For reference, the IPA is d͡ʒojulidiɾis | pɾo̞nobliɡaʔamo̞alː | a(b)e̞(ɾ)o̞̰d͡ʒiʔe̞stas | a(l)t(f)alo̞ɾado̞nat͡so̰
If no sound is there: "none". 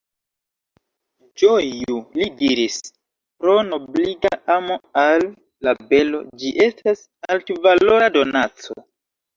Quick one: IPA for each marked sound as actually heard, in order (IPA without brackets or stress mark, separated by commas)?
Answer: b, l, l, v